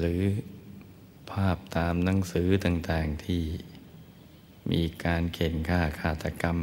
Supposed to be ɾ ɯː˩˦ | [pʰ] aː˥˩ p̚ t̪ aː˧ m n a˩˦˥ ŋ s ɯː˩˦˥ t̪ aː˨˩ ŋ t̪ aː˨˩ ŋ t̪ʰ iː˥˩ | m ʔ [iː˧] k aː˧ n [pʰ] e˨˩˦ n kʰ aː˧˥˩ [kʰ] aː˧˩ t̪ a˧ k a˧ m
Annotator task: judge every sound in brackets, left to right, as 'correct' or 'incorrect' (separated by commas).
correct, correct, incorrect, correct